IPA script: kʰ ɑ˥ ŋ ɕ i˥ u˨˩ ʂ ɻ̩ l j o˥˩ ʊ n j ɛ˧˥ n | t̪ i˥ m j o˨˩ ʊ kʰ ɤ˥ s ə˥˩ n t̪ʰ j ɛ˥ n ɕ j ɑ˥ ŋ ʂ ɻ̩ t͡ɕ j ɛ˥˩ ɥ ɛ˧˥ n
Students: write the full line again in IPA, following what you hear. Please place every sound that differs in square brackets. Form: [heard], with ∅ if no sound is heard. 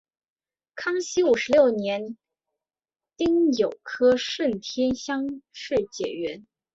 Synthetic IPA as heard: kʰ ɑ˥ ŋ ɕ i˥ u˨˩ ʂ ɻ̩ l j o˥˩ ʊ n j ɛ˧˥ n | t̪ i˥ [ŋ] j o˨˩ ʊ kʰ ɤ˥ [ʂ] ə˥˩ n t̪ʰ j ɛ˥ n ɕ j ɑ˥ ŋ ʂ ɻ̩ t͡ɕ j [ɛ˨˩] ɥ ɛ˧˥ n

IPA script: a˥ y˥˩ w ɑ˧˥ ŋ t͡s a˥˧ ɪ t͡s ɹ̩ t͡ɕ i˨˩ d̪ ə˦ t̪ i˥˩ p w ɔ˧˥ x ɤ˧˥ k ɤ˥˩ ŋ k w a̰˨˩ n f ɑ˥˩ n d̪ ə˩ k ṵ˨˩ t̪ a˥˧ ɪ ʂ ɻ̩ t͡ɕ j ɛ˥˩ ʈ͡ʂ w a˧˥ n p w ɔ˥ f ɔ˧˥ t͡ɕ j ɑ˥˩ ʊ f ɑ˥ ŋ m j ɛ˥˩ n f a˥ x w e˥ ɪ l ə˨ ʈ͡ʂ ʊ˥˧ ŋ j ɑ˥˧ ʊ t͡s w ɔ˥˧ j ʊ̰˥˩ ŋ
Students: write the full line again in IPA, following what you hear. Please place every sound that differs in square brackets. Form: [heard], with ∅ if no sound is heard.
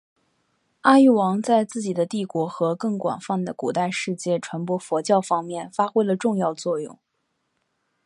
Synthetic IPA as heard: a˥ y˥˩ w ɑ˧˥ ŋ t͡s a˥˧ ɪ t͡s ɹ̩ t͡ɕ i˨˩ d̪ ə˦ t̪ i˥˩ [k] w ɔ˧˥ x ɤ˧˥ k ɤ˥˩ ŋ k w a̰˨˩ n f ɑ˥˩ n d̪ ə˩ k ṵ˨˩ t̪ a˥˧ ɪ ʂ ɻ̩ t͡ɕ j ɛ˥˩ [ʈ͡ʂʰ] w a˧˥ n p w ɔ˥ f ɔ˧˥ t͡ɕ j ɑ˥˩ ʊ f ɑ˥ ŋ m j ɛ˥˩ n f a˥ x w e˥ ɪ l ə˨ ʈ͡ʂ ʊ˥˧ ŋ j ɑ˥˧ ʊ t͡s w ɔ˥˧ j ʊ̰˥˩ ŋ

